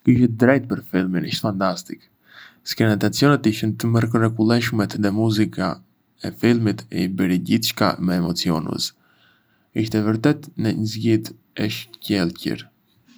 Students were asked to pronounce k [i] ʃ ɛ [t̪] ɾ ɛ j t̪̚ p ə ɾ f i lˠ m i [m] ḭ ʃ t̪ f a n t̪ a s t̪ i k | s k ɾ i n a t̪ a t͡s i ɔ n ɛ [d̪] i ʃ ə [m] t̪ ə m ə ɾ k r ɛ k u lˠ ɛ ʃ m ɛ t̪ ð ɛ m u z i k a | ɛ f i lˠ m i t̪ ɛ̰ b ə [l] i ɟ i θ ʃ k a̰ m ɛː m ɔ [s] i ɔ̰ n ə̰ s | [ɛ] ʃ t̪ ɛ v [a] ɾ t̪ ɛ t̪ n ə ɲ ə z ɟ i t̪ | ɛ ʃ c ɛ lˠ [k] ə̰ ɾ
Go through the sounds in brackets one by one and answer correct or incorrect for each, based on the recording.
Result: correct, incorrect, incorrect, incorrect, incorrect, incorrect, incorrect, incorrect, incorrect, incorrect

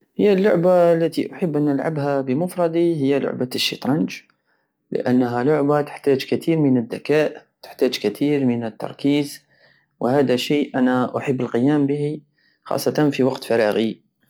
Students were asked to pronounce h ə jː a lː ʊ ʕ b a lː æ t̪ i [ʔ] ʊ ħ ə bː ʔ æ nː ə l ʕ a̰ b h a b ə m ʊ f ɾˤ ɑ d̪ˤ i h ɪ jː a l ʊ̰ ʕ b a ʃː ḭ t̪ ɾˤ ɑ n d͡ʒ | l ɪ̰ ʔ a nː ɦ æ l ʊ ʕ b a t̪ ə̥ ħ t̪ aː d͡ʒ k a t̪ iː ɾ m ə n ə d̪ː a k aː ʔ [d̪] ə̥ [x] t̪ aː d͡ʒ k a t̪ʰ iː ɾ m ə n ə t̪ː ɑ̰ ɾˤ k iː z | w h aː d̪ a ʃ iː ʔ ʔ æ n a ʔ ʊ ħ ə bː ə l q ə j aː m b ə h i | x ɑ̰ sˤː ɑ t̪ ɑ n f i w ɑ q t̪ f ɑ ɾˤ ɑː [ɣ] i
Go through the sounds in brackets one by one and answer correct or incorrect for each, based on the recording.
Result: correct, incorrect, incorrect, correct

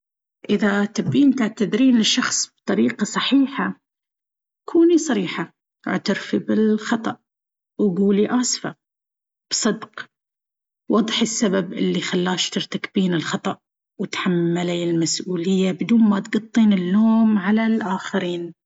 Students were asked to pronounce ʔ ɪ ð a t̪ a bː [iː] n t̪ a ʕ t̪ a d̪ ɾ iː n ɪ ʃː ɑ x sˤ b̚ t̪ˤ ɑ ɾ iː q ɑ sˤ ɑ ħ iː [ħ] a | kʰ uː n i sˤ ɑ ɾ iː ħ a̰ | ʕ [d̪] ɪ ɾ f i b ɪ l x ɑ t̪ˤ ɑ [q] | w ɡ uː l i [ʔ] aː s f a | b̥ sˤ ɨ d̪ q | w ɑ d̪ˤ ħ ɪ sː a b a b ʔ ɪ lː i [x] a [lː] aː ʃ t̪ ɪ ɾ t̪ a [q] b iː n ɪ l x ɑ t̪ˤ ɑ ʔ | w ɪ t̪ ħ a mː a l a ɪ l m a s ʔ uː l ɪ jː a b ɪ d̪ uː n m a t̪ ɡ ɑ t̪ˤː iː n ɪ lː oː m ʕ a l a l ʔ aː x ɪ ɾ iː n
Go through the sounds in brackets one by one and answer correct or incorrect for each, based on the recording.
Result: correct, correct, incorrect, incorrect, correct, correct, correct, incorrect

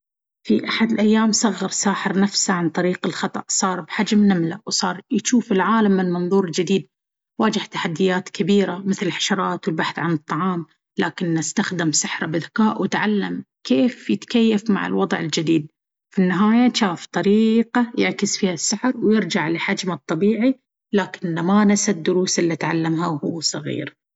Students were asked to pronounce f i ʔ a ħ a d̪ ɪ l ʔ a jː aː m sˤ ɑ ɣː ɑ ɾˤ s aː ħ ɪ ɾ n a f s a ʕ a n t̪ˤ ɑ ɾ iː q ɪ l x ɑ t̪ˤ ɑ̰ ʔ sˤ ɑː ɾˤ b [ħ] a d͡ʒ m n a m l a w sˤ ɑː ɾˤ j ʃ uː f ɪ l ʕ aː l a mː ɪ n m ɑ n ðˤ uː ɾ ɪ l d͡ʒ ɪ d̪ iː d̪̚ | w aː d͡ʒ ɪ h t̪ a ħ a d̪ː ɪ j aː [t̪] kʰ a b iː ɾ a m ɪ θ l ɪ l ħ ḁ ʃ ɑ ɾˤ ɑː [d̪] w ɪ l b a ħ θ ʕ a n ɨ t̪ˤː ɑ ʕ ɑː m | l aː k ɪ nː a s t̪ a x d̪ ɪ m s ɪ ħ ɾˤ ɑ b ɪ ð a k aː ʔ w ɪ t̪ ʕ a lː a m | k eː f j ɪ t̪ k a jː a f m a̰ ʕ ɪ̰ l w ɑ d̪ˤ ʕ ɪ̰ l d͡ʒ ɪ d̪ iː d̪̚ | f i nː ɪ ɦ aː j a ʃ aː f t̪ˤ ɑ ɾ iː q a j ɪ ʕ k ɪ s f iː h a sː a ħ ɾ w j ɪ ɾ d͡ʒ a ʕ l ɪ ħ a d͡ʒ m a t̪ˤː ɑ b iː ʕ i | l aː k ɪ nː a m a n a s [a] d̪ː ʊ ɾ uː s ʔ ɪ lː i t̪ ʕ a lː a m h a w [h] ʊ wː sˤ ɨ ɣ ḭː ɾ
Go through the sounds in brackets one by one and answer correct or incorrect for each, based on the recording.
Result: correct, correct, incorrect, correct, correct

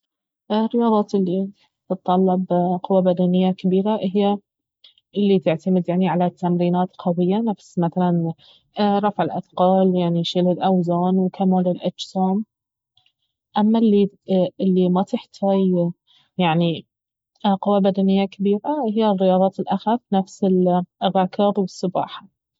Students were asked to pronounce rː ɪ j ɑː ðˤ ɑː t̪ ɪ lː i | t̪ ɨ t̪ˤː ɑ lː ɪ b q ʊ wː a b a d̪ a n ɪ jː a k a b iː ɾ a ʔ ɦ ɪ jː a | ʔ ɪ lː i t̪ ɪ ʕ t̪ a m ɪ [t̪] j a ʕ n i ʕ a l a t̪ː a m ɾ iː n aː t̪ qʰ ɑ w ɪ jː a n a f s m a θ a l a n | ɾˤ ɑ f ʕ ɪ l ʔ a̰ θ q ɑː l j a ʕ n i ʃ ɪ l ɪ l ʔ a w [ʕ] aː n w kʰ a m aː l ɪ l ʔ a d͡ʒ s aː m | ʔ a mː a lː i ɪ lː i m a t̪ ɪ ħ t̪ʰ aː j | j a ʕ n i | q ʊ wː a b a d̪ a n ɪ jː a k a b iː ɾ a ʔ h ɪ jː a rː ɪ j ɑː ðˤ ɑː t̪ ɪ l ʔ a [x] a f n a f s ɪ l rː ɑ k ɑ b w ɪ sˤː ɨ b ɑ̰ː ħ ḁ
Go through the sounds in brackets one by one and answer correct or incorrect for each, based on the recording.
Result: incorrect, incorrect, correct

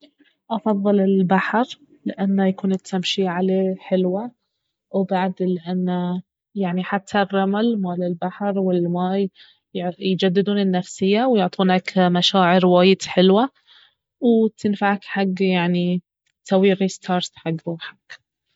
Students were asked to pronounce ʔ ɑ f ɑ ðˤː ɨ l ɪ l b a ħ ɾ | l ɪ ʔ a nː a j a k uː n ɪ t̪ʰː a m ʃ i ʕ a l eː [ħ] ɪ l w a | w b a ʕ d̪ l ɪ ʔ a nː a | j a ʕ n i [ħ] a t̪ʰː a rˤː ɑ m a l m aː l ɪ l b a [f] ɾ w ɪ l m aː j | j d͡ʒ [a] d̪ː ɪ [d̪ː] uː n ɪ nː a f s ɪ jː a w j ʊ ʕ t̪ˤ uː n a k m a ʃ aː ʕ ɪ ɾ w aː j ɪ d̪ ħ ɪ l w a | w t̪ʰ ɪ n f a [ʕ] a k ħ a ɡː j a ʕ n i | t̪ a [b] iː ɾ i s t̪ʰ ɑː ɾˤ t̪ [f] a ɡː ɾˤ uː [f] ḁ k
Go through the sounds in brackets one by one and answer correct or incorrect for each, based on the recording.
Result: correct, correct, incorrect, correct, incorrect, correct, incorrect, incorrect, incorrect

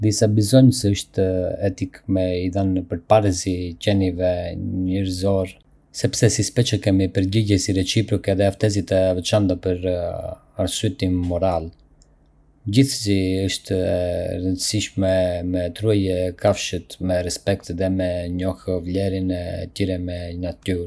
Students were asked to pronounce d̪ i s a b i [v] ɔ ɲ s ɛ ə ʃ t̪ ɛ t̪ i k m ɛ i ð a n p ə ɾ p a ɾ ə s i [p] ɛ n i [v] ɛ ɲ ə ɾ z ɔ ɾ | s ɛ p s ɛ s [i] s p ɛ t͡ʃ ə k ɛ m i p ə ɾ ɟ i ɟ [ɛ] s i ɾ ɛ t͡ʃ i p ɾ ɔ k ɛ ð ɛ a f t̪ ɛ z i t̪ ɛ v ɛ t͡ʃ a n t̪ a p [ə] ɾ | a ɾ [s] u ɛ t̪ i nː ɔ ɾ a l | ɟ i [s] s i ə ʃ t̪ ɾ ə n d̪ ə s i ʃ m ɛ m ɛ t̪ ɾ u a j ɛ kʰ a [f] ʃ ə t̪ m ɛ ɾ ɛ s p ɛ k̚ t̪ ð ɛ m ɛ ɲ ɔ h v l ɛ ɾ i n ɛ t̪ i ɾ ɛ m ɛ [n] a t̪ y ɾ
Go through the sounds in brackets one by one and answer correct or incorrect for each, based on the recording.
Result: incorrect, incorrect, correct, correct, correct, correct, correct, incorrect, correct, correct

